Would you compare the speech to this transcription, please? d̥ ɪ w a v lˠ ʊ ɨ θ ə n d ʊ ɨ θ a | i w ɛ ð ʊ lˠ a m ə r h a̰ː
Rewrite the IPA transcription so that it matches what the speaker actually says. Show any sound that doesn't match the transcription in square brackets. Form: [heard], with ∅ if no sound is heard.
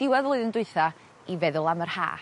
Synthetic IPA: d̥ ɪ w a [ð] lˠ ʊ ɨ [ð] ə n d ʊ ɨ θ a | i [v] ɛ ð ʊ lˠ a m ə r h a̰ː

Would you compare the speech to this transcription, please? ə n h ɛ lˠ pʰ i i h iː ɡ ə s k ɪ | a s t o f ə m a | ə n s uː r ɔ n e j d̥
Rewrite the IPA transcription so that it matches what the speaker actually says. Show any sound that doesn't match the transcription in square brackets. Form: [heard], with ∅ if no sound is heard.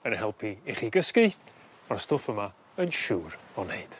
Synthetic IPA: ə n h ɛ lˠ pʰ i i [χ] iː ɡ ə s k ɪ | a s t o f ə m a | ə n [ʃ] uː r ɔ n e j d̥

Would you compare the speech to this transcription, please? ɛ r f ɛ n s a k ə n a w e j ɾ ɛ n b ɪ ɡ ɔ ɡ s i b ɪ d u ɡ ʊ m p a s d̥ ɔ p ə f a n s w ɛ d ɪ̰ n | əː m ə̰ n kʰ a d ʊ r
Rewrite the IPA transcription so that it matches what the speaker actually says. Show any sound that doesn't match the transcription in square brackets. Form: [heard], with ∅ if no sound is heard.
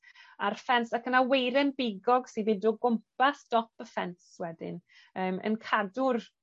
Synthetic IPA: [a] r f ɛ n s a k ə n a w e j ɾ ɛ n b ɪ ɡ ɔ ɡ s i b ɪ d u ɡ ʊ m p a s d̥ ɔ p ə f [ɛ] n s w ɛ d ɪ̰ n | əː m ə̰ n kʰ a d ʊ r

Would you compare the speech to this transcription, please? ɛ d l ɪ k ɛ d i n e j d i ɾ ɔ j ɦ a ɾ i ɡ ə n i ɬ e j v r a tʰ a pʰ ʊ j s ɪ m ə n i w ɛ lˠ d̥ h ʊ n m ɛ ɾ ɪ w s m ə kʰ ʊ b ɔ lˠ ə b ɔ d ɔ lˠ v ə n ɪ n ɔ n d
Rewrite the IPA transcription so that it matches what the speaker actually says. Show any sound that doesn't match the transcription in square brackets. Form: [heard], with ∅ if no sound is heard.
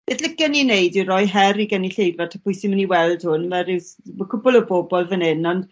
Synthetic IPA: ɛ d l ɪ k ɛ [n] i n e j d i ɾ ɔ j ɦ [ɛ] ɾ i ɡ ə n i ɬ e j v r a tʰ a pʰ ʊ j s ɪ m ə n i w ɛ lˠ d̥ h ʊ n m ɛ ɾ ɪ w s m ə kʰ ʊ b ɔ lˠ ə b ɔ [b] ɔ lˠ v ə n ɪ n ɔ n d

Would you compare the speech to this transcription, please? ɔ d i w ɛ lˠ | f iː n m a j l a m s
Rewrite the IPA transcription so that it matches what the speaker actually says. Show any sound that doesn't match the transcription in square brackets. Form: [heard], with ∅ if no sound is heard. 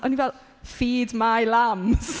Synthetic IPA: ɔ [n] i [v] ɛ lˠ | f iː [d] m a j l a m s

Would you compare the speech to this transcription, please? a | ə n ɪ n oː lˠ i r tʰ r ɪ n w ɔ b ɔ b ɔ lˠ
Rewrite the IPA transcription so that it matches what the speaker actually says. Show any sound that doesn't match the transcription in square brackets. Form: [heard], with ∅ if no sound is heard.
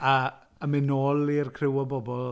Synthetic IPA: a | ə [m] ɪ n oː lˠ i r [kʰ] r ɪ [∅] w ɔ b ɔ b ɔ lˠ

